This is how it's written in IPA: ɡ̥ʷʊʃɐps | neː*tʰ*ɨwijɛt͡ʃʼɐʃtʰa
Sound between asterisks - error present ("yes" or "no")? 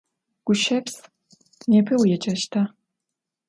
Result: yes